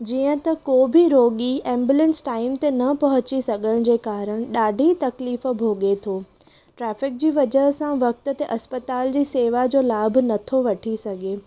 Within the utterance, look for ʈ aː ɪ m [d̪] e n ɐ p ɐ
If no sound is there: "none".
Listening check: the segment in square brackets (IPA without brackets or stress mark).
t̪